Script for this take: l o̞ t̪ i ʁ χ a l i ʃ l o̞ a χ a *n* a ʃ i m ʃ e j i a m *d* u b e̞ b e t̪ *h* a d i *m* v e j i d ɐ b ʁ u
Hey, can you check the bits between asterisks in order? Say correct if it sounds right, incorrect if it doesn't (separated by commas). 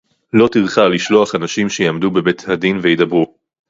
correct, correct, correct, incorrect